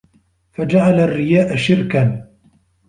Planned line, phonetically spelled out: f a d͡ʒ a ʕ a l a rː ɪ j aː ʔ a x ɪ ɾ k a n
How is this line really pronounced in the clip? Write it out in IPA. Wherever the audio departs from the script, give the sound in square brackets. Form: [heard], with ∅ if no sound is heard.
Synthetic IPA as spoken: f a d͡ʒ a ʕ a l a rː ɪ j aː ʔ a [ʃ] ɪ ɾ k a n

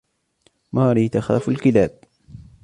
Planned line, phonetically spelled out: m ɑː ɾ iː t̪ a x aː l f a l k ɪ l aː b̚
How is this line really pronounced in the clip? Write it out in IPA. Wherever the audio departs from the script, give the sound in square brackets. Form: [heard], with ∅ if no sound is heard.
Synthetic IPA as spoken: m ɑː ɾ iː t̪ a x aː [∅] f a l k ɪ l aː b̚

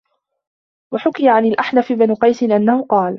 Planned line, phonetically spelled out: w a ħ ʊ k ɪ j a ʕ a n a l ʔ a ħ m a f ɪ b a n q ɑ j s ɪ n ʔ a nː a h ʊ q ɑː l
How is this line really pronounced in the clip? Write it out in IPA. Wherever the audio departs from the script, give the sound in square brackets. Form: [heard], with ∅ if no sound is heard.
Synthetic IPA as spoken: w a ħ ʊ k ɪ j a ʕ a n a l ʔ a ħ [n] a f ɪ b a n q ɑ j s ɪ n ʔ a nː a h ʊ q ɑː l

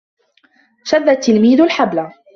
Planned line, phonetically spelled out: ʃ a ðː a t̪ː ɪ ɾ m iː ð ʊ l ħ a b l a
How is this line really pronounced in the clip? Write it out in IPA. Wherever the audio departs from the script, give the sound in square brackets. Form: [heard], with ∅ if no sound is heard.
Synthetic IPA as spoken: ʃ a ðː a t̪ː ɪ [l] m iː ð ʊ l ħ a b l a

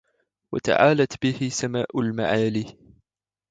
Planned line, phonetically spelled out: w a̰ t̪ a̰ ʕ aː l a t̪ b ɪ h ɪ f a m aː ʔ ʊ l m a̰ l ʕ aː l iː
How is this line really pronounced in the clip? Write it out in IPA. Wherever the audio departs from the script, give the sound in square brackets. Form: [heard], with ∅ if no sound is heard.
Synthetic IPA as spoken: w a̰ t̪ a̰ ʕ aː l a t̪ b ɪ h ɪ [s] a m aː ʔ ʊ l m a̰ [∅] ʕ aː l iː

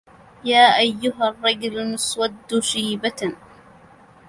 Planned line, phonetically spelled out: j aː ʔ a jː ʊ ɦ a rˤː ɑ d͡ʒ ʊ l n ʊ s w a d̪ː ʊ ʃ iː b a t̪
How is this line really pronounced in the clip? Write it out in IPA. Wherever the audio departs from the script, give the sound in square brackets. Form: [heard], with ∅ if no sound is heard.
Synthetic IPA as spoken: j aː ʔ a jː ʊ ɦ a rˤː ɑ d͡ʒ ʊ l n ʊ s w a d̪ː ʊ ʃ iː b a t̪

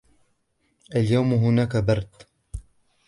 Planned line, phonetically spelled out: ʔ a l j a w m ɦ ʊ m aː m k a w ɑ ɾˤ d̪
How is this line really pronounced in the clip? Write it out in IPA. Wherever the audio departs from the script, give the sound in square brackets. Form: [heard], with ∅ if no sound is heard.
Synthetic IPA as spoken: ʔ a l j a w m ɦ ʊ [n] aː [∅] k a [b] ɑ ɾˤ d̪

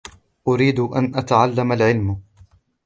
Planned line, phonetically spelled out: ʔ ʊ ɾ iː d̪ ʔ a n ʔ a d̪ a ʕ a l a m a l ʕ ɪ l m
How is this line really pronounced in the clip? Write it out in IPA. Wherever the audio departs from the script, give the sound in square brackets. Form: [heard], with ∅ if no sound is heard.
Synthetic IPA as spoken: ʔ ʊ ɾ iː d̪ ʔ a n ʔ a [t̪] a ʕ a [lː] a m a l ʕ ɪ l m

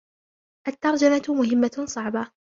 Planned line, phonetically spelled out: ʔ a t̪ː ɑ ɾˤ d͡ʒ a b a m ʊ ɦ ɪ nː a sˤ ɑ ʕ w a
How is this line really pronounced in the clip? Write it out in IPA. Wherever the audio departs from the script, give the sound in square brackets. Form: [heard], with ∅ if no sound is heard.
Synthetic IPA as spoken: ʔ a t̪ː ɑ ɾˤ d͡ʒ a [m] a m ʊ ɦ ɪ [mː] a sˤ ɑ ʕ [b] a

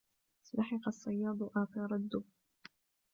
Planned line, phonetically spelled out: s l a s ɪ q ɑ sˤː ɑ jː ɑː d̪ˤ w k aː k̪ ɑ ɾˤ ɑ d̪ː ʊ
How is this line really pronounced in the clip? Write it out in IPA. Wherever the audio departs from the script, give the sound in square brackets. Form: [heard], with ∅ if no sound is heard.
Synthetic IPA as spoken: s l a [ħ] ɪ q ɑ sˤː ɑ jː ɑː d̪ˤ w [ʔ] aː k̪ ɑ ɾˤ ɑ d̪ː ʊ

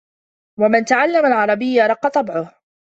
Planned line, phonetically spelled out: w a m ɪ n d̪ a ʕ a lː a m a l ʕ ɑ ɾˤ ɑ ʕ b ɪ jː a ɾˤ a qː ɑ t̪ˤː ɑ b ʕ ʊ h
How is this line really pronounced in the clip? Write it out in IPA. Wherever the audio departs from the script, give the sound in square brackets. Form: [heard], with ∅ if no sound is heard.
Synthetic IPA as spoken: w a m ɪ n [t̪] a ʕ a lː a m a l ʕ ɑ ɾˤ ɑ [∅] b ɪ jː a ɾˤ [ɑ] qː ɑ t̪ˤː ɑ b ʕ ʊ h

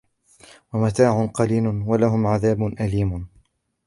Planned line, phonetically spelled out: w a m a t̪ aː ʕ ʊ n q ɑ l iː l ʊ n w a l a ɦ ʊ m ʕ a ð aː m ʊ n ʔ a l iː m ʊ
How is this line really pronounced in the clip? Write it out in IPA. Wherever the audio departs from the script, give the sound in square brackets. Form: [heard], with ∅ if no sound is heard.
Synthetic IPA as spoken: w a m a t̪ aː ʕ ʊ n q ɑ l iː l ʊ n w a l a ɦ ʊ m ʕ a ð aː [b] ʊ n ʔ a l iː m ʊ

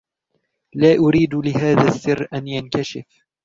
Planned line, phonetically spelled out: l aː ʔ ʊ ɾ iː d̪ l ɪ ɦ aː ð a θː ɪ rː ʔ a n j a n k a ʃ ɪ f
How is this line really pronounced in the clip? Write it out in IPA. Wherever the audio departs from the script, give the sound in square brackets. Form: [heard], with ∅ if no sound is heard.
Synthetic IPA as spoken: l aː ʔ ʊ ɾ iː d̪ l ɪ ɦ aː ð a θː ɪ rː ʔ a n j a n k a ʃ ɪ f

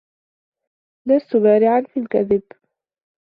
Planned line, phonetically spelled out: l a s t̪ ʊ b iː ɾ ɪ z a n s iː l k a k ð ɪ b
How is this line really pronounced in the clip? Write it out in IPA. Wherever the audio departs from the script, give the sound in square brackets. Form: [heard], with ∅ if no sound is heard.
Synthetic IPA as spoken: l a s t̪ ʊ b [aː] ɾ ɪ [ʕ] a n [f] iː l k a [∅] ð ɪ b

